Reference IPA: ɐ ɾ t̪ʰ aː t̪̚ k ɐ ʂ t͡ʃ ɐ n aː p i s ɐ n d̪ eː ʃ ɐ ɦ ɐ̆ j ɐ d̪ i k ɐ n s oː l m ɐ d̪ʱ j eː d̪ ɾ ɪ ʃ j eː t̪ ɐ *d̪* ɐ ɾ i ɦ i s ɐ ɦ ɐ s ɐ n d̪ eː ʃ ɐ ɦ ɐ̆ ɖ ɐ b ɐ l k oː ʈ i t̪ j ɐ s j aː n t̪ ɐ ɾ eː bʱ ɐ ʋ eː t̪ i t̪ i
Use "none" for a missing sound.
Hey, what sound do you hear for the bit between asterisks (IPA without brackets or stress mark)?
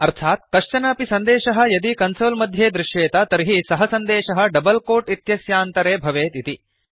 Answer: t̪